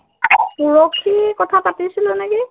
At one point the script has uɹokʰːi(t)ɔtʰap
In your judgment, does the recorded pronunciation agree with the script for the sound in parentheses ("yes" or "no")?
no